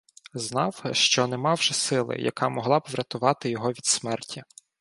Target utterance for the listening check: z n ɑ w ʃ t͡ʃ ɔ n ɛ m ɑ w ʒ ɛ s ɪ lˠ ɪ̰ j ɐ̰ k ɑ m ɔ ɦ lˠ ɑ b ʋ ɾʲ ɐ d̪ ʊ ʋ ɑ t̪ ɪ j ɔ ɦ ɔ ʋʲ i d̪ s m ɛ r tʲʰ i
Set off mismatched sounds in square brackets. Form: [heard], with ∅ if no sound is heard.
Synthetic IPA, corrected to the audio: z n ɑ w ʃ t͡ʃ ɔ n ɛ m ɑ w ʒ ɛ s ɪ lˠ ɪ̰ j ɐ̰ k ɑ m ɔ ɦ lˠ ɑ b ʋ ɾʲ ɐ [t̪] ʊ ʋ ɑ t̪ ɪ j ɔ ɦ ɔ ʋʲ i d̪ s m ɛ r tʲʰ i